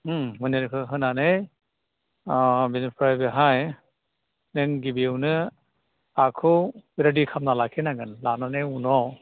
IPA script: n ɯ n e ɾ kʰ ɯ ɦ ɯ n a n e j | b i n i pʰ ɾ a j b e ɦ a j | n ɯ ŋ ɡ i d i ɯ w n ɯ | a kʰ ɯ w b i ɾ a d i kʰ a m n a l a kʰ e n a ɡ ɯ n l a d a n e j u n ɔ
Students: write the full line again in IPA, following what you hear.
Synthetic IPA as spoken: m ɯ n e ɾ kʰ ɯ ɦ ɯ n a n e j | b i n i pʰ ɾ a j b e ɦ a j | n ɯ ŋ ɡ i b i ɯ w n ɯ | a kʰ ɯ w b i ɾ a d i kʰ a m n a l a kʰ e n a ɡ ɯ n l a n a n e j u n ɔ